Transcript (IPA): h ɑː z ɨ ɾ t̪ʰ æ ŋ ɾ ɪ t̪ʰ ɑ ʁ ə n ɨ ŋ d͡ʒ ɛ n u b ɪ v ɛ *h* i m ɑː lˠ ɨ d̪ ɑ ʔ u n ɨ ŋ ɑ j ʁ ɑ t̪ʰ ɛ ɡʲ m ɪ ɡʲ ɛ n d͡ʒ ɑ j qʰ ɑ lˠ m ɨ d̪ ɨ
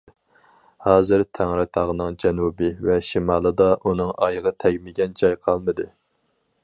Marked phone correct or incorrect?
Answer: incorrect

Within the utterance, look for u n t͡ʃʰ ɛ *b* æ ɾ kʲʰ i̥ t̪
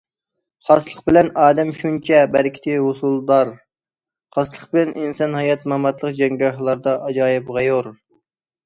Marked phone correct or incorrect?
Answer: correct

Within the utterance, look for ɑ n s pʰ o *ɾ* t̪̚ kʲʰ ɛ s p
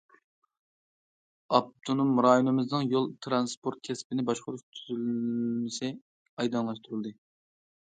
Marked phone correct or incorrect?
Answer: correct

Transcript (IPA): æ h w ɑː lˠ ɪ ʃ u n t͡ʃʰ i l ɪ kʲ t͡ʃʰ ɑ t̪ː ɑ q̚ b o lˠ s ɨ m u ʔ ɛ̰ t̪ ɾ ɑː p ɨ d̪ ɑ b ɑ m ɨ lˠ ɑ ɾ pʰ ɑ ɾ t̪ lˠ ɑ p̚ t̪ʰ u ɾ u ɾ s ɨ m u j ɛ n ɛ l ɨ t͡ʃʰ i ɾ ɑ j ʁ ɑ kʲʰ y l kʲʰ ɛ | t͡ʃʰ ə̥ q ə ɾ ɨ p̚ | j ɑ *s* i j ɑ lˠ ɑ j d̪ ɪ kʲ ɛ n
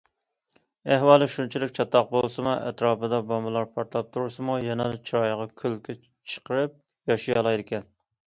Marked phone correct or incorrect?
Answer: incorrect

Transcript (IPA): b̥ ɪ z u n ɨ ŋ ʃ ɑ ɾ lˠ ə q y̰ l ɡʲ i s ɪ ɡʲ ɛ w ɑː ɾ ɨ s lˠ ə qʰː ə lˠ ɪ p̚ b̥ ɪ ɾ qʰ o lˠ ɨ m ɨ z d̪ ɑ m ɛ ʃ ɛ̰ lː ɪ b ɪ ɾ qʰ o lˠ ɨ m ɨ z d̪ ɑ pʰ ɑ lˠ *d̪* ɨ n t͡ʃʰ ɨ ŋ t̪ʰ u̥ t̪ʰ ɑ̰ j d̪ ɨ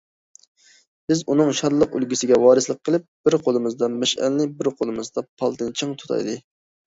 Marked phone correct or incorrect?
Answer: incorrect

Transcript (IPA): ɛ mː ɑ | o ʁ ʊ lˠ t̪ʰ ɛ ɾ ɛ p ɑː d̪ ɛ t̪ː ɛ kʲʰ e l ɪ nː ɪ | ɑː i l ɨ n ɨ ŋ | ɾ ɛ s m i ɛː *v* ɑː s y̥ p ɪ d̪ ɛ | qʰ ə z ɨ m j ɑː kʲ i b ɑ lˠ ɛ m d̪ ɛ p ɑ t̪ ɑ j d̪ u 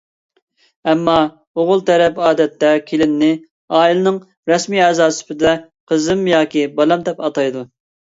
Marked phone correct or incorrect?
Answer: incorrect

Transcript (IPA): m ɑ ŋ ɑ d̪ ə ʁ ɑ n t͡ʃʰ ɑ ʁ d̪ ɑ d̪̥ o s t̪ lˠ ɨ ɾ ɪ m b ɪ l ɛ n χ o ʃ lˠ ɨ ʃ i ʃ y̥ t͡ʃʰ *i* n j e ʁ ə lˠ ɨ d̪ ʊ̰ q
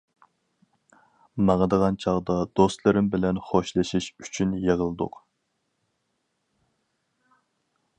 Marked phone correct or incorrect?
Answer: incorrect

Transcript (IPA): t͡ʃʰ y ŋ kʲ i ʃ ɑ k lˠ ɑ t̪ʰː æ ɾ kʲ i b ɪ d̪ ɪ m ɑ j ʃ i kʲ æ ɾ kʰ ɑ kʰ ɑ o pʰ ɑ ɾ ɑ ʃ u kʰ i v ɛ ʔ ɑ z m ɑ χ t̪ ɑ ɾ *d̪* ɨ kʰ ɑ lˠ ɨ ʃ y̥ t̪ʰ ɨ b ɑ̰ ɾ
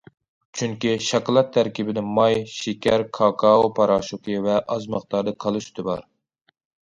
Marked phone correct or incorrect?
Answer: correct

